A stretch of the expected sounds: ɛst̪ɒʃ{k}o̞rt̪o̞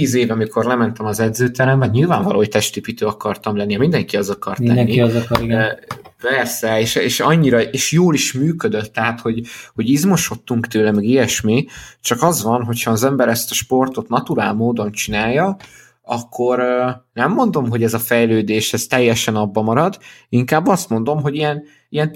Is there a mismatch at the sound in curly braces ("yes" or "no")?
yes